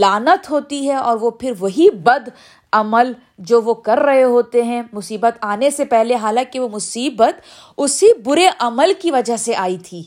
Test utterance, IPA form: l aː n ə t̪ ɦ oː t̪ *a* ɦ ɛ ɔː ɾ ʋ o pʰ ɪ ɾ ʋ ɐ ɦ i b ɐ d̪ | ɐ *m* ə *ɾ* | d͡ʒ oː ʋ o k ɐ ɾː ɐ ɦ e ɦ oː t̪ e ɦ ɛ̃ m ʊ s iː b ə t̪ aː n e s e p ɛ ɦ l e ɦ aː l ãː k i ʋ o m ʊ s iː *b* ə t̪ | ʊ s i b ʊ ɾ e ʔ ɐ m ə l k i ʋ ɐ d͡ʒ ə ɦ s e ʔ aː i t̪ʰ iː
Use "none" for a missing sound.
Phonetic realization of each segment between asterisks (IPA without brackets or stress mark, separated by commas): i, m, l, b